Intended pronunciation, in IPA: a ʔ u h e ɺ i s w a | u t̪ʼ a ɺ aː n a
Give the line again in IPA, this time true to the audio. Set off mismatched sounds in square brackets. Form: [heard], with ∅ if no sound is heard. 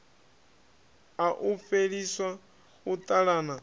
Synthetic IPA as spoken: a ʔ u [f] e ɺ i s w a | u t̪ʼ a ɺ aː n a